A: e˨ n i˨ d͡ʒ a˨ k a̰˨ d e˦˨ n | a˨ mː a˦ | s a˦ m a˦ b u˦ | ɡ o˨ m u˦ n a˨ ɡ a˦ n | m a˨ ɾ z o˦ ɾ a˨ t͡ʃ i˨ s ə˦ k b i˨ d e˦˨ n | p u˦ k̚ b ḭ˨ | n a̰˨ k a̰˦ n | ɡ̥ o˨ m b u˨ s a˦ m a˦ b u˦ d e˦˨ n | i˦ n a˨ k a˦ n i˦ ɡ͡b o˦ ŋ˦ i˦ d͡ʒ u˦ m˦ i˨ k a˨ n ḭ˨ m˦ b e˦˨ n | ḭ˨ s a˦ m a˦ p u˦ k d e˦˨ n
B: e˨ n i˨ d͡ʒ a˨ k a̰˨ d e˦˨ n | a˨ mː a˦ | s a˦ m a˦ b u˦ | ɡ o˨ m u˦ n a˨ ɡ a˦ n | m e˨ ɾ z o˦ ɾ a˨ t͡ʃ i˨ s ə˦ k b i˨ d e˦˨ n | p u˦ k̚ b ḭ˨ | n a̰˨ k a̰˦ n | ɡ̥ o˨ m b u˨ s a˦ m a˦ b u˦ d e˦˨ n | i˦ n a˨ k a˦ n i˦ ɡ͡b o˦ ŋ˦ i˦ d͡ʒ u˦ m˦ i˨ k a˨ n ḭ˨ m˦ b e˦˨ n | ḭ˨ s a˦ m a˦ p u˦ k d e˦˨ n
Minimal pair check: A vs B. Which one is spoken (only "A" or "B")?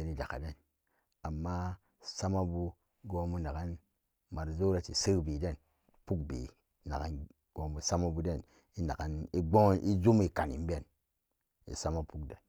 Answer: A